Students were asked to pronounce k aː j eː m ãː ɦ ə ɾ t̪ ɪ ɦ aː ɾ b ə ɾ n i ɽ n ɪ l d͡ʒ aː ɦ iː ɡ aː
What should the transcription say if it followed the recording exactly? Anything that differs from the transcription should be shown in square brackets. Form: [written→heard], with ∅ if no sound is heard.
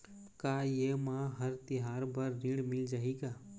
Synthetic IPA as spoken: k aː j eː m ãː ɦ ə ɾ t̪ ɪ ɦ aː ɾ b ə ɾ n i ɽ [n→m] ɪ l d͡ʒ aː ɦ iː ɡ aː